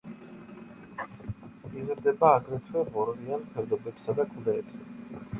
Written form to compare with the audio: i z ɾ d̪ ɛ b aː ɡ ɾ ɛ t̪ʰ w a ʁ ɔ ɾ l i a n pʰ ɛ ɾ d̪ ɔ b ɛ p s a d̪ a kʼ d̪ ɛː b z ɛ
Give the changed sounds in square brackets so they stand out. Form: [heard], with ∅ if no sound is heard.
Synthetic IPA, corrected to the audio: i z ɾ d̪ ɛ b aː ɡ ɾ ɛ t̪ʰ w [ɛ] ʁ ɔ ɾ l i a n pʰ ɛ ɾ d̪ ɔ b ɛ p s a d̪ a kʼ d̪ ɛː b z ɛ